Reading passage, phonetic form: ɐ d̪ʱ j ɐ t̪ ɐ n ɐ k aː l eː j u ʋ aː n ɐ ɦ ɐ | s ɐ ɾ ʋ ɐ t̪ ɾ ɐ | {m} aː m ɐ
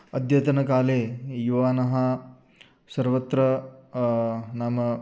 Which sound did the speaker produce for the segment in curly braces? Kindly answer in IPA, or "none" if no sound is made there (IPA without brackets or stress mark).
n